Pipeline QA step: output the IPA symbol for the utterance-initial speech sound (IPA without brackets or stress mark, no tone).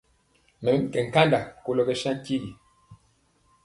m